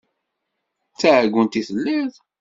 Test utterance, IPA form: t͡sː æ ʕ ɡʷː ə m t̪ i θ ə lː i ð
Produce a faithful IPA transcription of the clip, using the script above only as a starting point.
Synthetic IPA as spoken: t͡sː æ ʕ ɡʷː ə n t̪ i θ ə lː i ð